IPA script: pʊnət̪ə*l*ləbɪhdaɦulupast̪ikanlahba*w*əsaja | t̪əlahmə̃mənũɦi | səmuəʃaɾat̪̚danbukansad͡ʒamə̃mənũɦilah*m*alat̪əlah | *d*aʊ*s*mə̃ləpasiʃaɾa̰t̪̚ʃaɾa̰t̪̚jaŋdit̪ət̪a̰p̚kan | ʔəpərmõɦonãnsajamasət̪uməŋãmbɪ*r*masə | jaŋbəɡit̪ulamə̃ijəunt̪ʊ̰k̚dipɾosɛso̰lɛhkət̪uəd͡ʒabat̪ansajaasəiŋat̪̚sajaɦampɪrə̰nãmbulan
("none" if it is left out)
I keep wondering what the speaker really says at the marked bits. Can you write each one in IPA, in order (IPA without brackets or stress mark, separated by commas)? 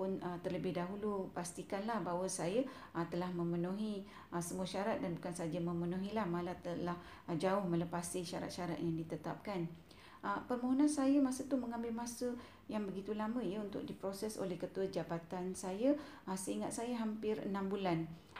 r, w, m, d͡ʒ, h, l